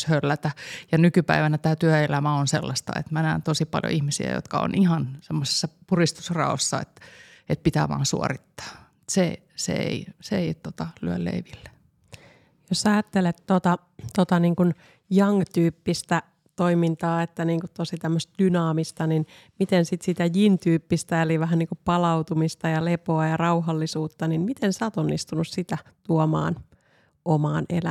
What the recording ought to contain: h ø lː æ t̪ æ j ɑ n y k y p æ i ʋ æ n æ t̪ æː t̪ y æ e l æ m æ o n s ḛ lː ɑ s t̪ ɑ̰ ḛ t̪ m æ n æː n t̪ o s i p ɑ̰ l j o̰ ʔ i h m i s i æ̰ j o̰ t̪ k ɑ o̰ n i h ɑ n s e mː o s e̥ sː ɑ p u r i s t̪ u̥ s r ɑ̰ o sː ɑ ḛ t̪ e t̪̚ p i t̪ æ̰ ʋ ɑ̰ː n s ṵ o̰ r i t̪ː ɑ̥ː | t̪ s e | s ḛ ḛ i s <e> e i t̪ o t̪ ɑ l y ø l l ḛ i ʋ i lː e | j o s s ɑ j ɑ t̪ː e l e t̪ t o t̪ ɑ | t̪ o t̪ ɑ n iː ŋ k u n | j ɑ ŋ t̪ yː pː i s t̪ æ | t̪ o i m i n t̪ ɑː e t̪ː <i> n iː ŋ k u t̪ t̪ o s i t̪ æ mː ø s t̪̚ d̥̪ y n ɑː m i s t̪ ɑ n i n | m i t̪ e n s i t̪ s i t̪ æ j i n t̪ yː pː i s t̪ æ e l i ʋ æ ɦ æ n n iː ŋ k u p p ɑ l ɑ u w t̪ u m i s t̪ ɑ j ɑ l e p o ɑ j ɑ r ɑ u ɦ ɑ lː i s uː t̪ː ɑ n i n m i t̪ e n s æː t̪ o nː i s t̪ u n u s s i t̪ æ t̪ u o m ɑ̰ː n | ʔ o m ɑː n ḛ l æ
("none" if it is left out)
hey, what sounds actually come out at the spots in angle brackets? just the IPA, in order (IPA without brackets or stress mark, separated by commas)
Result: e, æ